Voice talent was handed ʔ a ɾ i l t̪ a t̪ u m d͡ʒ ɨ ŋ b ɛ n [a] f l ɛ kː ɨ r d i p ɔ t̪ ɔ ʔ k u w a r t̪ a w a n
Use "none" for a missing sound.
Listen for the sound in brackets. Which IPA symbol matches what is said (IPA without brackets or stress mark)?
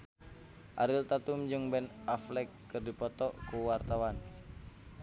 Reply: a